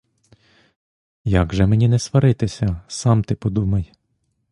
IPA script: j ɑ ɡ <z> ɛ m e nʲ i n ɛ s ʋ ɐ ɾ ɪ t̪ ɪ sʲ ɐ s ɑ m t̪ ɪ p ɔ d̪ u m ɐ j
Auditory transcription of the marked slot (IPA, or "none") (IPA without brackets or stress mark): ʒ